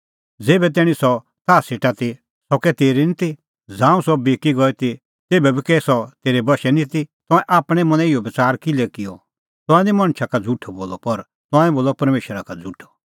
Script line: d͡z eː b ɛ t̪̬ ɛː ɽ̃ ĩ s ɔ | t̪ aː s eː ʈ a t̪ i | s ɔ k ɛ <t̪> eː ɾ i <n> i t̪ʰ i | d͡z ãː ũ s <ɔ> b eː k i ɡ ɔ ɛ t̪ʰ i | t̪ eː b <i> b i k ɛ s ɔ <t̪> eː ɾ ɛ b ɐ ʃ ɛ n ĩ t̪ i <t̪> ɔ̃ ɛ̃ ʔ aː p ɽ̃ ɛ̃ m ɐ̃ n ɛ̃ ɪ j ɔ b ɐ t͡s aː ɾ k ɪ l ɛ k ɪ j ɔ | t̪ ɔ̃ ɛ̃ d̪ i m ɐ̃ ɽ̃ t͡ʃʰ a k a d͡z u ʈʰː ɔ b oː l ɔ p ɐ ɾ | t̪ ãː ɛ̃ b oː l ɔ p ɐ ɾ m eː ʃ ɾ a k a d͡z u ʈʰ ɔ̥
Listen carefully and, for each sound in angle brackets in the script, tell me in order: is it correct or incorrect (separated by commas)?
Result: correct, correct, correct, incorrect, correct, correct